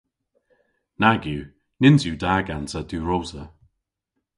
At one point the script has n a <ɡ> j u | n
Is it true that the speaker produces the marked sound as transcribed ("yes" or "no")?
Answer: yes